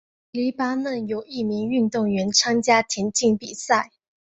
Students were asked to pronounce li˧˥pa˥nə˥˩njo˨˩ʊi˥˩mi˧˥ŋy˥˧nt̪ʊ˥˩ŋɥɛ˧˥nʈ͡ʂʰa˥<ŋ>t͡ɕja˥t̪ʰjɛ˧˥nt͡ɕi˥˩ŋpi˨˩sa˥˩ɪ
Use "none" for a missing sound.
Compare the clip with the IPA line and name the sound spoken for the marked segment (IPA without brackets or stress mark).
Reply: ŋ